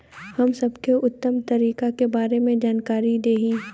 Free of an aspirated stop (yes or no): yes